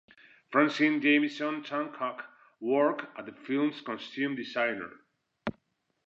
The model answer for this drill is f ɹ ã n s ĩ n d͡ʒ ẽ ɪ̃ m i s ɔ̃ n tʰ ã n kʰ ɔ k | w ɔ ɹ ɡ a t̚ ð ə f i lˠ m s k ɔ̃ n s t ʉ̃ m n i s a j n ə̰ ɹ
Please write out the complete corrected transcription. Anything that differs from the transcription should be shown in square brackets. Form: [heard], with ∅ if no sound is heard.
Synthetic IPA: f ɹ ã n s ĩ n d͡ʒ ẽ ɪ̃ m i s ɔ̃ n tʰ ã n kʰ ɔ k | w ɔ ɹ [k] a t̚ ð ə f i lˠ m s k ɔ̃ n s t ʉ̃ m [d] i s a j n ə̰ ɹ